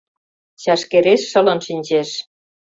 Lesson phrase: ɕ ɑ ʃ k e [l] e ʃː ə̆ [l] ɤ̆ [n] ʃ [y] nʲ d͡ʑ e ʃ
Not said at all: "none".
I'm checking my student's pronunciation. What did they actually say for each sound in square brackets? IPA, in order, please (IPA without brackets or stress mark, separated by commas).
ɾ, l, n, i